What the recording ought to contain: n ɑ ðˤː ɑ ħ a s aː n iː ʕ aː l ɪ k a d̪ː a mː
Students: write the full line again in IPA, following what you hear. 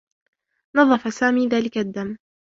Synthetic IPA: n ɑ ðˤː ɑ f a s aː m iː ð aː l ɪ k a d̪ː a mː